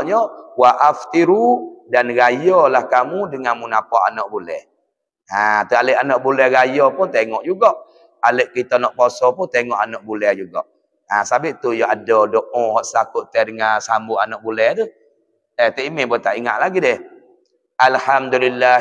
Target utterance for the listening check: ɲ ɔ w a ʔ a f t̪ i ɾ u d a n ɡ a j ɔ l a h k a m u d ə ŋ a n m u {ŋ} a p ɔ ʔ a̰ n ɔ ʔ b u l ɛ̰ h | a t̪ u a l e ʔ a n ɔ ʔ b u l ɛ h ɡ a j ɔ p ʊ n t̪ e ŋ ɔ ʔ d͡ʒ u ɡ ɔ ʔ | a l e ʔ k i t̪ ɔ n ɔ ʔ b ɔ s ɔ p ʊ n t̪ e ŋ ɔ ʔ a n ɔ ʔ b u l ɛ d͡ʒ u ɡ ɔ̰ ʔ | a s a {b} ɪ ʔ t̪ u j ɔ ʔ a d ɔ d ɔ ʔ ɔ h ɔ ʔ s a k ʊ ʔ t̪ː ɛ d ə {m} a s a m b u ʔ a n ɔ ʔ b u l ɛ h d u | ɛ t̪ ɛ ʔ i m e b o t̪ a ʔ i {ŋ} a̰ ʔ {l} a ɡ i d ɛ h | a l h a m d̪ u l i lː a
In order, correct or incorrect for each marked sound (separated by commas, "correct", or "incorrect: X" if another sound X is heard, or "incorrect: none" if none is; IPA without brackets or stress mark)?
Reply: incorrect: n, correct, incorrect: ŋ, correct, correct